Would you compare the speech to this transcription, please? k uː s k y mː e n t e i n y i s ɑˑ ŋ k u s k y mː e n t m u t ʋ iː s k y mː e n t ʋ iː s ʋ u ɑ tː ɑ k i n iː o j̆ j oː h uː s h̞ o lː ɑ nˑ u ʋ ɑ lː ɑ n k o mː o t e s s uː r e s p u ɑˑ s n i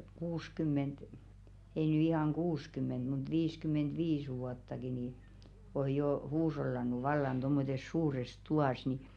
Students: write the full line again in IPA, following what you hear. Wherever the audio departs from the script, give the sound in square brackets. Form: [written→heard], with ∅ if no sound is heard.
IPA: k uː s k y mː e n t e i n y i [s→h] ɑˑ ŋ k [u→uː] s k y mː e n t m u t ʋ iː s k y mː e n t ʋ iː s ʋ u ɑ tː ɑ k i n iː o j̆ j oː h uː s h̞ o lː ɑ nˑ u ʋ ɑ lː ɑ n [k→t] o mː o t e s s uː r e s [p→t] u ɑˑ s n i